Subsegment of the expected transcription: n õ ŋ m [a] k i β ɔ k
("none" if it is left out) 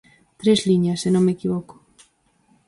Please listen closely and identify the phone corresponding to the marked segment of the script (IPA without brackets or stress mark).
e